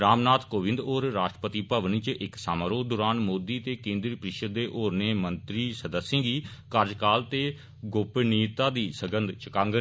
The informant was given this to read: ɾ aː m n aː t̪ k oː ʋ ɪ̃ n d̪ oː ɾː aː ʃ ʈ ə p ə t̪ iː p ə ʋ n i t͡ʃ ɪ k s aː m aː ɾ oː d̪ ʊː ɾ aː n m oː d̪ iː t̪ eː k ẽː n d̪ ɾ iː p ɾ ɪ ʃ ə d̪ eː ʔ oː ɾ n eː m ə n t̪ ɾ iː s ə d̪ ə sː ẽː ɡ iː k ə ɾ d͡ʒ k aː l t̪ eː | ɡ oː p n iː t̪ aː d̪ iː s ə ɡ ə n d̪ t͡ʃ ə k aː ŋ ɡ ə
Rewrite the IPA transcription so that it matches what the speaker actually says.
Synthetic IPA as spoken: ɾ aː m n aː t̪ k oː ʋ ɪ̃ n d̪ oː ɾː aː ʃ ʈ ə p ə t̪ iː p ə ʋ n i t͡ʃ ɪ k s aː m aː ɾ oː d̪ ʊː ɾ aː n m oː d̪ iː t̪ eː k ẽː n d̪ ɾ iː p ɾ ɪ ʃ ə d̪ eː ʔ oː ɾ n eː m ə n t̪ ɾ iː s ə d̪ ə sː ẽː ɡ iː k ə ɾ d͡ʒ k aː l t̪ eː | ɡ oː p n iː t̪ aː d̪ iː s ə ɡ ə n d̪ t͡ʃ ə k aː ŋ ɡ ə

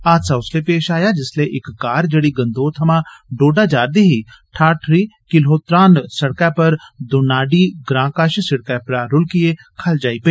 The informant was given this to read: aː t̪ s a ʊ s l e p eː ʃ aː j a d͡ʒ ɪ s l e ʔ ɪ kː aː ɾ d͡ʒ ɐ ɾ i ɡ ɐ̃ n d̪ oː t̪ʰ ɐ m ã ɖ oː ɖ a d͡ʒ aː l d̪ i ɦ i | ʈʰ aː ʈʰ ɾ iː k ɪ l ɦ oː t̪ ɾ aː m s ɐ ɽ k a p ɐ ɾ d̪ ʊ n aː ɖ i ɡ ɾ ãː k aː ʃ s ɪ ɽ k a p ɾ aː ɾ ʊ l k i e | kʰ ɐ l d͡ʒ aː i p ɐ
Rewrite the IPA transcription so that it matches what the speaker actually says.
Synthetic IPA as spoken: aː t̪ s a ʊ s l e p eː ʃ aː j a d͡ʒ ɪ s l e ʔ ɪ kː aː ɾ d͡ʒ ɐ ɽ i ɡ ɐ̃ n d̪ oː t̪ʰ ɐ m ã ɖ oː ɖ a d͡ʒ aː ɾ d̪ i ɦ i | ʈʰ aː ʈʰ ɾ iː k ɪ l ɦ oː t̪ ɾ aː n s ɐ ɽ k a p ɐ ɾ d̪ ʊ n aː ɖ i ɡ ɾ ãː k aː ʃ s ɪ ɽ k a p ɾ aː ɾ ʊ l k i e | kʰ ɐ l d͡ʒ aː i p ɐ

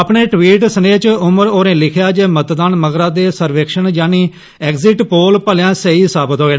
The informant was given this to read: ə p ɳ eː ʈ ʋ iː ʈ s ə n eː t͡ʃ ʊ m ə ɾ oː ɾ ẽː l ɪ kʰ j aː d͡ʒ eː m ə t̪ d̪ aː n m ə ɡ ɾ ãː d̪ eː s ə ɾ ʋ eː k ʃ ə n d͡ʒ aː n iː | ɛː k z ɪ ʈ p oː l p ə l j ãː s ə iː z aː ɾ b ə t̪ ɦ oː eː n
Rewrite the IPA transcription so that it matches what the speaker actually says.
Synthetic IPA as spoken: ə p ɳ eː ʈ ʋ iː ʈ s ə n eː t͡ʃ ʊ m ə ɾ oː ɾ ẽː l ɪ kʰ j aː d͡ʒ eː m ə t̪ d̪ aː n m ə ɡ ɾ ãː d̪ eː s ə ɾ ʋ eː k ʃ ə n d͡ʒ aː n iː | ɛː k z ɪ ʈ p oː l p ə l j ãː s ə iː s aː b ə t̪ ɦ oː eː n

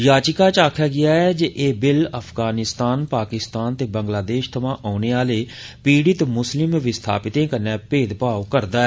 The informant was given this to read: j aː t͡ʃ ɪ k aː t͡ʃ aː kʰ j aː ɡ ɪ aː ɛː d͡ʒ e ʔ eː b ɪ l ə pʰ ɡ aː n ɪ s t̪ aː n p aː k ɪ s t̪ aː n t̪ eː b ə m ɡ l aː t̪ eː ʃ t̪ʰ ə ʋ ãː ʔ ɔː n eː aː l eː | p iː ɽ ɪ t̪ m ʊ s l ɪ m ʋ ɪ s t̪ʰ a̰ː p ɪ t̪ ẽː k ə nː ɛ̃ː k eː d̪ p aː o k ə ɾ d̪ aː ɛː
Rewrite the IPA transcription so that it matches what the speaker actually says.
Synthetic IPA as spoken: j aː t͡ʃ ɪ k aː t͡ʃ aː kʰ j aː ɡ ɪ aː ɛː d͡ʒ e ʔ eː b ɪ l ə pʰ ɡ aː n ɪ s t̪ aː n p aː k ɪ s t̪ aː n t̪ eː b ə ŋ ɡ l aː d̪ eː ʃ t̪ʰ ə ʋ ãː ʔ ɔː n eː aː l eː | p iː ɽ ɪ t̪ m ʊ s l ɪ m ʋ ɪ s t̪ʰ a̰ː p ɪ t̪ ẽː k ə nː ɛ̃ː p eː d̪ p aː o k ə ɾ d̪ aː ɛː

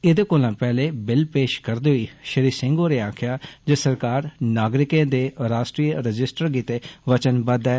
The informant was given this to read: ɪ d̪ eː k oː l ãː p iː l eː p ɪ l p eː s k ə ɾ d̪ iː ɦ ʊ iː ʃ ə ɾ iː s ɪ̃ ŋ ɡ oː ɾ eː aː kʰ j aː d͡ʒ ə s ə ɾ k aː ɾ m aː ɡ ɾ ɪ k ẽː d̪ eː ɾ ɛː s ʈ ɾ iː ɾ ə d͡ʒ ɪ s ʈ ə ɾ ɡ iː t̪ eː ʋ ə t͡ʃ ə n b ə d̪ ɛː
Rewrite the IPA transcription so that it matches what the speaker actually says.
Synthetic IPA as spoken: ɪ d̪ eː k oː l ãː p ɛː l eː b ɪ l p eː ʃ k ə ɾ d̪ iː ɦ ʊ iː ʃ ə ɾ iː s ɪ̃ ŋ ɡ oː ɾ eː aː kʰ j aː d͡ʒ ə s ə ɾ k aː ɾ n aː ɡ ɾ ɪ k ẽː d̪ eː ɾ aː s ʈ ɾ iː ɾ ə d͡ʒ ɪ s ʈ ə ɾ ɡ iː t̪ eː ʋ ə t͡ʃ ə n b ə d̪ ɛː

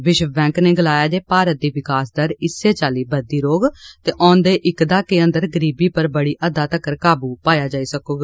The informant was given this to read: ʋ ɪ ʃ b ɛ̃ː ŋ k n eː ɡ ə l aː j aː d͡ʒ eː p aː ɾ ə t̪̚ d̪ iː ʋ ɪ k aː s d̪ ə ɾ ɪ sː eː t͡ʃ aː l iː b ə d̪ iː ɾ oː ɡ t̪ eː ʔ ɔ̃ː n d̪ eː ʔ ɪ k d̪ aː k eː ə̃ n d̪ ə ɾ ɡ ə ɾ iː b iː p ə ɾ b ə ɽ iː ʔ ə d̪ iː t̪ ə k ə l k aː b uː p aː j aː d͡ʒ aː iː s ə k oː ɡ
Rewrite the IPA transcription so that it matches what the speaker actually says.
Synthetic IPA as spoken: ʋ ɪ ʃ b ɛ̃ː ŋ k n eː ɡ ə l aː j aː d͡ʒ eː p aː ɾ ə t̪̚ d̪ iː ʋ ɪ k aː s d̪ ə ɾ ɪ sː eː t͡ʃ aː l iː b ə d̪ iː ɾ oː ɡ t̪ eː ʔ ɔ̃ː n d̪ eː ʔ ɪ k d̪ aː k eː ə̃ n d̪ ə ɾ ɡ ə ɾ iː b iː p ə ɾ b ə ɽ iː ʔ ə d̪ aː t̪ ə k ə ɾ k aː b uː p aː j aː d͡ʒ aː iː s ə k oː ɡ

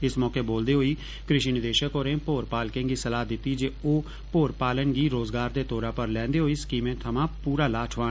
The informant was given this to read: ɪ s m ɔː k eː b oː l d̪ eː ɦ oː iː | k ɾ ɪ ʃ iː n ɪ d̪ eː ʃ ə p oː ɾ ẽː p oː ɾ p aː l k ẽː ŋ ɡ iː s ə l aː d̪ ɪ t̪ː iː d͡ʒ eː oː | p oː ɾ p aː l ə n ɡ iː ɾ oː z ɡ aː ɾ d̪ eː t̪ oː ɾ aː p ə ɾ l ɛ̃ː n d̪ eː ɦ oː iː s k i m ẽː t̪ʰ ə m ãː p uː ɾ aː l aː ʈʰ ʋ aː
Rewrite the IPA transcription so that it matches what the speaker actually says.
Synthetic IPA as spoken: ɪ s m ɔː k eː b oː l d̪ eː ɦ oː iː | k ɾ ɪ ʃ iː n ɪ d̪ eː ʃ ə k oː ɾ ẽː p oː ɾ p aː l k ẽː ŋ ɡ iː s ə l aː d̪ ɪ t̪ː iː d͡ʒ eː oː | p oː ɾ p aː l ə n ɡ iː ɾ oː z ɡ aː ɾ d̪ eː t̪ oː ɾ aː p ə ɾ l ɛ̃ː n d̪ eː ɦ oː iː s k iː m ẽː t̪ʰ ə m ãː p uː ɾ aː l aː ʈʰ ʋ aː

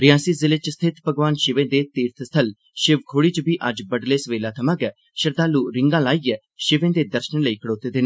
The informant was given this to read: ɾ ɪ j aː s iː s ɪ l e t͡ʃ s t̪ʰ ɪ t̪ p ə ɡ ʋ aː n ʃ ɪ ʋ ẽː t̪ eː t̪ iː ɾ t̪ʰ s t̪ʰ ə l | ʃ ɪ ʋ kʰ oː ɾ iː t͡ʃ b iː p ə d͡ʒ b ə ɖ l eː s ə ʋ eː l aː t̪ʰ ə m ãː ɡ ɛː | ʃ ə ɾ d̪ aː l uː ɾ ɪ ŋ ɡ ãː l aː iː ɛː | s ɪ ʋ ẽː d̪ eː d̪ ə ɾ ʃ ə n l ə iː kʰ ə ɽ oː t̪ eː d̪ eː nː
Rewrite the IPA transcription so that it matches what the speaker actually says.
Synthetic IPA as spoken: ɾ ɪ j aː s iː z ɪ l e t͡ʃ s t̪ʰ ɪ t̪ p ə ɡ ʋ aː n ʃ ɪ ʋ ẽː d̪ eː t̪ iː ɾ t̪ʰ s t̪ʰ ə l | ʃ ɪ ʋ kʰ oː ɽ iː t͡ʃ b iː ʔ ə d͡ʒ b ə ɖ l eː s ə ʋ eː l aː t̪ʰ ə m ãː ɡ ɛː | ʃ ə ɾ d̪ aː l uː ɾ ɪ ŋ ɡ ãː l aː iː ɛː | ʃ ɪ ʋ ẽː d̪ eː d̪ ə ɾ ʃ ə n l ə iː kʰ ə ɽ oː t̪ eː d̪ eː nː

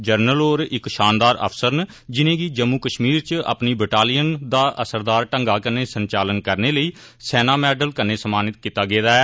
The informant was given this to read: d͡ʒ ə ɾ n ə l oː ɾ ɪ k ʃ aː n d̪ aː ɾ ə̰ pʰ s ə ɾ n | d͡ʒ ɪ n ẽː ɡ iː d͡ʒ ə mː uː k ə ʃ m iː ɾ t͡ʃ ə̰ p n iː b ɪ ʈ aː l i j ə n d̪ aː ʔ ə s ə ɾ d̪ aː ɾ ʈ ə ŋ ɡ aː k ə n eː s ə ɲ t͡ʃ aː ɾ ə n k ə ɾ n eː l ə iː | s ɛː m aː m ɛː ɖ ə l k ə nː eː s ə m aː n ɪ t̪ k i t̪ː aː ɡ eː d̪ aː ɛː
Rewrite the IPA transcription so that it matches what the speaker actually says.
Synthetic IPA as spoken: d͡ʒ ə ɾ n ə l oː ɾ ɪ k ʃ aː n d̪ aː ɾ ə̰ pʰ s ə ɾ n | d͡ʒ ɪ n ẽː ɡ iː d͡ʒ ə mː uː k ə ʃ m iː ɾ t͡ʃ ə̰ p n iː b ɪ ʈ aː l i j ə n d̪ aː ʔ ə s ə ɾ d̪ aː ɾ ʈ ə ŋ ɡ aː k ə n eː s ə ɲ t͡ʃ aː l ə n k ə ɾ n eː l ə iː | s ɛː n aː m ɛː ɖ ə l k ə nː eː s ə m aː n ɪ t̪ k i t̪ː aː ɡ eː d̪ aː ɛː

